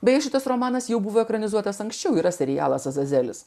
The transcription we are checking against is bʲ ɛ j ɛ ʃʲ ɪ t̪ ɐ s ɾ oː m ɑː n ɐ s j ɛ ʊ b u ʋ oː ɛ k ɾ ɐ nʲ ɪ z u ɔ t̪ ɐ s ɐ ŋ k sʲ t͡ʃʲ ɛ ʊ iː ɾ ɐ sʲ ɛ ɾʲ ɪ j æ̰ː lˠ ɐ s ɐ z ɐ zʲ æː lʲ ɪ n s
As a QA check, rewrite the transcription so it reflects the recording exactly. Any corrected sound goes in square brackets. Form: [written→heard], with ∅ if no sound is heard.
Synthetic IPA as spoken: bʲ ɛ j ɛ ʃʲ ɪ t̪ ɐ s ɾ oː m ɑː n ɐ s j ɛ ʊ b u ʋ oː ɛ k ɾ ɐ nʲ ɪ z u ɔ t̪ ɐ s ɐ ŋ k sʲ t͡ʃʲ ɛ ʊ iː ɾ ɐ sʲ ɛ ɾʲ ɪ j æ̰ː lˠ ɐ s ɐ z ɐ zʲ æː lʲ ɪ [n→∅] s